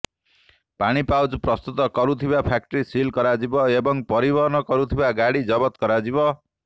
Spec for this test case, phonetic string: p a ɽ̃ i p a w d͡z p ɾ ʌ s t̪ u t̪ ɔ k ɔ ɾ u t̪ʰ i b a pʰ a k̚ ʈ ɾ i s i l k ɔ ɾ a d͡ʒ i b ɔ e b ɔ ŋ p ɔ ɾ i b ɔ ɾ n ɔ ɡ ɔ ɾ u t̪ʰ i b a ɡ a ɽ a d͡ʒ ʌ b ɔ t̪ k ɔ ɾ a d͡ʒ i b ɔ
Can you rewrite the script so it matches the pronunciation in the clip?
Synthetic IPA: p a ɽ̃ i p a w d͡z p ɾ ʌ s t̪ u t̪ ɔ k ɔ ɾ u t̪ʰ i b a pʰ a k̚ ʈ ɾ i s i l k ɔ ɾ a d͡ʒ i b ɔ e b ɔ ŋ p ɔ ɾ i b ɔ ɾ n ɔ k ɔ ɾ u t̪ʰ i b a ɡ a ɽ i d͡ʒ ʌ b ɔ t̪ k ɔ ɾ a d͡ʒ i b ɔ

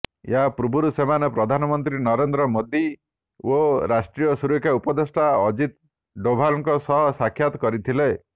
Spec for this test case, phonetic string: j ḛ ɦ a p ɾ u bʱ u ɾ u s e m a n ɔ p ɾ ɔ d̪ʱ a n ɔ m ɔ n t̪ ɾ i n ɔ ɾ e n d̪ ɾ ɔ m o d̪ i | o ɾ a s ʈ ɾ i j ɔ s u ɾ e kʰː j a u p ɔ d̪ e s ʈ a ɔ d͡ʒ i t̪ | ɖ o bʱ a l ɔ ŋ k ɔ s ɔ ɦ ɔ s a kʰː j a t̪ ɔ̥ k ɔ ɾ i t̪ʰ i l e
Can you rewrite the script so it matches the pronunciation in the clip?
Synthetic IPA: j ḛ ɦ a p ɾ u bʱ u ɾ u s e m a n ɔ p ɾ ɔ d̪ʱ a n ɔ m ɔ n t̪ ɾ i n ɔ ɾ e n d̪ ɾ ɔ m o d̪ i | o ɾ a s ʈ ɾ i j ɔ s u ɾ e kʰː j a u p ɔ d̪ e s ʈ a ɔ d͡ʒ i t̪ | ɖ o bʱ a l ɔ ŋ k ɔ s ɔ ɦ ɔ s a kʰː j a t̪ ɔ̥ k ɔ ɾ i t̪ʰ i l e

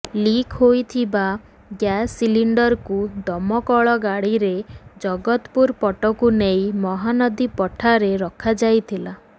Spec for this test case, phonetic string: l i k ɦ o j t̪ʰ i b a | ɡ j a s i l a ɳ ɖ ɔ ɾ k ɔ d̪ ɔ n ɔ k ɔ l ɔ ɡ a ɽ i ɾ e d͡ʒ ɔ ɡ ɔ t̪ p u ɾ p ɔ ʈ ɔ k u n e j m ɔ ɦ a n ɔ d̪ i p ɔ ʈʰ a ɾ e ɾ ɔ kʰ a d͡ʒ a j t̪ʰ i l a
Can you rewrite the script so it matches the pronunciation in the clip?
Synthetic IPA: l i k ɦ o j t̪ʰ i b a | ɡ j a s i l i ɳ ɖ ɔ ɾ k u d̪ ɔ m ɔ k ɔ ɭ ɔ ɡ a ɽ i ɾ e d͡ʒ ɔ ɡ ɔ t̪ p u ɾ p ɔ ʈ ɔ k u n e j m ɔ ɦ a n ɔ d̪ i p ɔ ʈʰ a ɾ e ɾ ɔ kʰ a d͡ʒ a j t̪ʰ i l a

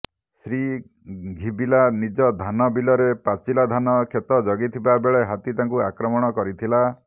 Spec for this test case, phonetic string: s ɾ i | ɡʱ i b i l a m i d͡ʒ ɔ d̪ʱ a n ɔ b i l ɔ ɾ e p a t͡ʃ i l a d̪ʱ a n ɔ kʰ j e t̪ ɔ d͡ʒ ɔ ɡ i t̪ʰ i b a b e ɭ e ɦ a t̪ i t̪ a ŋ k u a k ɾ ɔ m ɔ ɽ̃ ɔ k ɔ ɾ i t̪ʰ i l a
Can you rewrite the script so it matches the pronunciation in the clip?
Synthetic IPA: s ɾ i | ɡʱ i b i l a n i d͡ʒ ɔ d̪ʱ a n ɔ b i l ɔ ɾ e p a t͡ʃ i l a d̪ʱ a n ɔ kʰ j e t̪ ɔ d͡ʒ ɔ ɡ i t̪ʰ i b a b e ɭ e ɦ a t̪ i t̪ a ŋ k u a k ɾ ɔ m ɔ ɽ̃ ɔ k ɔ ɾ i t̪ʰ i l a

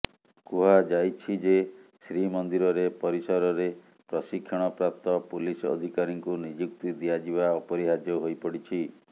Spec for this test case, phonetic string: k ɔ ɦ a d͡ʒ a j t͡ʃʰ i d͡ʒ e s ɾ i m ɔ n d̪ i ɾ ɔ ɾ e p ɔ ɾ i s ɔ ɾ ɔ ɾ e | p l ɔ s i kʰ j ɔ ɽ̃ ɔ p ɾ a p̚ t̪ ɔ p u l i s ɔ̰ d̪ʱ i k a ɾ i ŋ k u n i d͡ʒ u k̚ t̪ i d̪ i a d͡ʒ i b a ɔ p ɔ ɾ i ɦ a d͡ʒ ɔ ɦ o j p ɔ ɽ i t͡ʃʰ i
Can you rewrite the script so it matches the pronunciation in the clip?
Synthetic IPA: k u ɦ a d͡ʒ a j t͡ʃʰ i d͡ʒ e s ɾ i m ɔ n d̪ i ɾ ɔ ɾ e p ɔ ɾ i s ɔ ɾ ɔ ɾ e | p ɾ ɔ s i kʰ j ɔ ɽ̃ ɔ p ɾ a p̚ t̪ ɔ p u l i s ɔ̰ d̪ʱ i k a ɾ i ŋ k u n i d͡ʒ u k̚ t̪ i d̪ i a d͡ʒ i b a ɔ p ɔ ɾ i ɦ a d͡ʒ ɔ ɦ o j p ɔ ɽ i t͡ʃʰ i

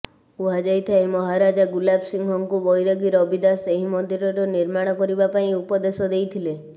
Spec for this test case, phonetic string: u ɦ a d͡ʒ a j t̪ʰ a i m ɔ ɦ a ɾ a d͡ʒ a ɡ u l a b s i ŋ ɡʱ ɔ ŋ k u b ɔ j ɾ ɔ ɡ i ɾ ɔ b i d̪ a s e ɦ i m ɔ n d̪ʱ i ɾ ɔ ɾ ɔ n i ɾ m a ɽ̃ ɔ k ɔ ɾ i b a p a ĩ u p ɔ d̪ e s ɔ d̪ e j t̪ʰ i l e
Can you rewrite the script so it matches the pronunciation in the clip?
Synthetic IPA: u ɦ a d͡ʒ a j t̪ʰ a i m ɔ ɦ a ɾ a d͡ʒ a ɡ u l a b s i ŋ ɡʱ ɔ ŋ k u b ɔ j ɾ ɔ ɡ i ɾ ɔ b i d̪ a s e ɦ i m ɔ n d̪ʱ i ɾ ɔ ɾ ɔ n i ɾ m a ɽ̃ ɔ k ɔ ɾ i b a p a ĩ u p ɔ d̪ e s ɔ d̪ e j t̪ʰ i l e

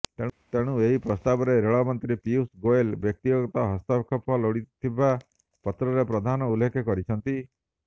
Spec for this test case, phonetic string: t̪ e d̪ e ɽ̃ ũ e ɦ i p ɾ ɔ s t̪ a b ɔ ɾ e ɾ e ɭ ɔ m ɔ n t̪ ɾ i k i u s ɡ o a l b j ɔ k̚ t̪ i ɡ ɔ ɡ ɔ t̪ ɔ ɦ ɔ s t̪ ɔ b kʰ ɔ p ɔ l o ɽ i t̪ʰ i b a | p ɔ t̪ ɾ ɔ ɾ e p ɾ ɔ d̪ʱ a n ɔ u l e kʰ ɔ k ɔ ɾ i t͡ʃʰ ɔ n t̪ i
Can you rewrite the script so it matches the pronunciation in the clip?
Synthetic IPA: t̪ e t̪ e ɽ̃ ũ e ɦ i p ɾ ɔ s t̪ a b ɔ ɾ e ɾ e ɭ ɔ m ɔ n t̪ ɾ i p i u s ɡ o e l b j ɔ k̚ t̪ i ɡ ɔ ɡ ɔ t̪ ɔ ɦ ɔ s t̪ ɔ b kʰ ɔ p ɔ l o ɽ i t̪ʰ i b a | p ɔ t̪ ɾ ɔ ɾ e p ɾ ɔ d̪ʱ a n ɔ u l e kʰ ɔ k ɔ ɾ i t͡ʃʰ ɔ n t̪ i

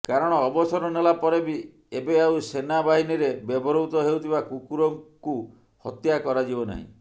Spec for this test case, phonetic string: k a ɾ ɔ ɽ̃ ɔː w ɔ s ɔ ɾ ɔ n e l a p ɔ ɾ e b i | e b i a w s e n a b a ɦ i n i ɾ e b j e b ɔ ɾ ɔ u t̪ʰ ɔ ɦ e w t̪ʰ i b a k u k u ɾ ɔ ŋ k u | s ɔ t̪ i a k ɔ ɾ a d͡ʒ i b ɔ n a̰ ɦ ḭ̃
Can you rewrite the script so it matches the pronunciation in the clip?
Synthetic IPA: k a ɾ ɔ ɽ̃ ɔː b ɔ s ɔ ɾ ɔ n e l a p ɔ ɾ e b i | e b e a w s e n a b a ɦ i n i ɾ e b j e b ɔ ɾ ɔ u t̪ ɔ ɦ e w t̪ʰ i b a k u k u ɾ ɔ ŋ k u | h ɔ t̪ j a k ɔ ɾ a d͡ʒ i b ɔ n a̰ ɦ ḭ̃

